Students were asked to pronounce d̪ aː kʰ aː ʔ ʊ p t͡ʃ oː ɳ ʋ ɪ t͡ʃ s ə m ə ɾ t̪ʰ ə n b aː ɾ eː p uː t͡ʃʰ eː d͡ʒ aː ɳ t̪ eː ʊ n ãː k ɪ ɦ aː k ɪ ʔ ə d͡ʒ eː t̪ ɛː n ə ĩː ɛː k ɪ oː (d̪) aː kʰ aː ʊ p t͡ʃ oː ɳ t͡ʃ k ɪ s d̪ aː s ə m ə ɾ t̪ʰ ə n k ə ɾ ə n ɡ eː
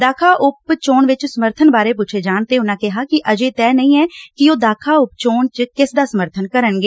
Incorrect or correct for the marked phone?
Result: correct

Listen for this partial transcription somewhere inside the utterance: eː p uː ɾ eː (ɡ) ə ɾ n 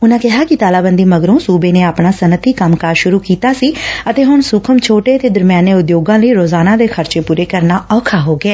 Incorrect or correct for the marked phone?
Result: incorrect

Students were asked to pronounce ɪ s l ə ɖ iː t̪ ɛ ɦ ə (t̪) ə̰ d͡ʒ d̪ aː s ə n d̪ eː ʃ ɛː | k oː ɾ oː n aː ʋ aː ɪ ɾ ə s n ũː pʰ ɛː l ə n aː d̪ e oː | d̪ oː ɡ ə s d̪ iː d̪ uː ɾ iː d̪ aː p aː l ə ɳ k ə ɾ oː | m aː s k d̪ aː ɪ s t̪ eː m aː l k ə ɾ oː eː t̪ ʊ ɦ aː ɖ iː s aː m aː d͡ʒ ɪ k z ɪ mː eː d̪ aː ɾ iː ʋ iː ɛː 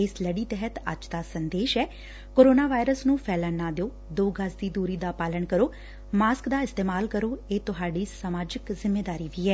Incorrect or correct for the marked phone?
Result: correct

